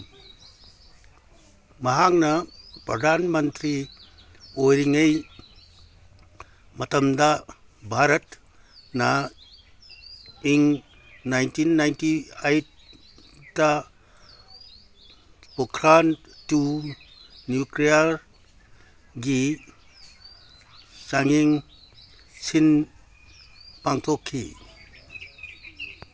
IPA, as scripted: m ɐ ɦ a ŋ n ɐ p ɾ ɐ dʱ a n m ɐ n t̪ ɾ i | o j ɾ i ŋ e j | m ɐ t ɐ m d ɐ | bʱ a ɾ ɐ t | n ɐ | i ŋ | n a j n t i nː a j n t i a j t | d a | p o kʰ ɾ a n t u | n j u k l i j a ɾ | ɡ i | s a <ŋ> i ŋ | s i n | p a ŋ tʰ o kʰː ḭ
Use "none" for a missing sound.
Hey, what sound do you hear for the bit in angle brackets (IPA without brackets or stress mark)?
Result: ŋ